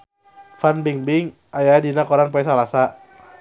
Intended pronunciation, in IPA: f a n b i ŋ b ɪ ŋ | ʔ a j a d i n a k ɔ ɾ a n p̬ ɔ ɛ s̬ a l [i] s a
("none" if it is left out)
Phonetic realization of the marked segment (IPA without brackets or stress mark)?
a